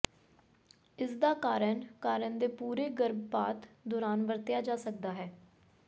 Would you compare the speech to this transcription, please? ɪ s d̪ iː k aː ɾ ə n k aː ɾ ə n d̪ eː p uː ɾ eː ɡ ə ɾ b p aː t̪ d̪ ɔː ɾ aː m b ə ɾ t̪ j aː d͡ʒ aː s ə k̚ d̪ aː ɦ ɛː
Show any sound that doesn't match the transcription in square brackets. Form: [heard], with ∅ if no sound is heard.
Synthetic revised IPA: ɪ s d̪ [aː] k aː ɾ ə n k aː ɾ ə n d̪ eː p uː ɾ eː ɡ ə ɾ b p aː t̪ d̪ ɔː ɾ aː [n] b ə ɾ t̪ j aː d͡ʒ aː s ə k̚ d̪ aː ɦ ɛː